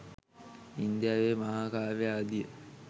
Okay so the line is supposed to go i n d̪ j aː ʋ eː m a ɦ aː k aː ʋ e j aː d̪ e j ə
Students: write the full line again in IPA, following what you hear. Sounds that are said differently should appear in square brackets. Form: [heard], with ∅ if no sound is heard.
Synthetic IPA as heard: i n d̪ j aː ʋ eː m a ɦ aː k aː ʋ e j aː d̪ [i] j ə

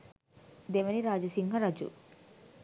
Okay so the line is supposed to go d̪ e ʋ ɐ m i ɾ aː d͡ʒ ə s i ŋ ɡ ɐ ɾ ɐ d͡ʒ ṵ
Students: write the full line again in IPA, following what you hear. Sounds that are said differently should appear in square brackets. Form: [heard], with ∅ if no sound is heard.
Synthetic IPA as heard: d̪ e ʋ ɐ [n] i ɾ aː d͡ʒ [ɐ] s i ŋ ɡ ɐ ɾ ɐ d͡ʒ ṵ

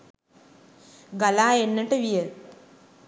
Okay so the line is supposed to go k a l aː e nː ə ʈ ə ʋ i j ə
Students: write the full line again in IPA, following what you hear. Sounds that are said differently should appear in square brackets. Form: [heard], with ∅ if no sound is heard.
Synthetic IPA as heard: [ɡ] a l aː e nː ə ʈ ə ʋ i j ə

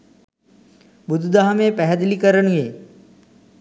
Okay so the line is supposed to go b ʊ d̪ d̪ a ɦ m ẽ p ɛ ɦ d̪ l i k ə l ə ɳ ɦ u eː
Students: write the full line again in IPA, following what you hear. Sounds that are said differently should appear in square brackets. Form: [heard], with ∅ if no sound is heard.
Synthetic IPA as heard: b ʊ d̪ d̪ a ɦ m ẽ p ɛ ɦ d̪ l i k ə [ɾ] ə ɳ ɦ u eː

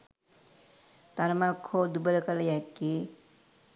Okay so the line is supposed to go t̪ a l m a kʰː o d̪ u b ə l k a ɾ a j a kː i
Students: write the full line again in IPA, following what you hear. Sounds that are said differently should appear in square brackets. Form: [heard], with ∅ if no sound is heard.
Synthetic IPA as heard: t̪ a [ɾ] m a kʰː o d̪ u b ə l k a [l] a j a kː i

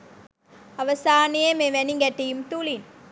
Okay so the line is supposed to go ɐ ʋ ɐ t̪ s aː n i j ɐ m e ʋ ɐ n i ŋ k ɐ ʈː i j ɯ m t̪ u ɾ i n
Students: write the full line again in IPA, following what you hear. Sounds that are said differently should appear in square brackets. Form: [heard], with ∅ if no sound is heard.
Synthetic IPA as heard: ɐ ʋ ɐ [∅] s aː n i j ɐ m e ʋ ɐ n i ŋ [ɡ] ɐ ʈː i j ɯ m t̪ u [l] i n

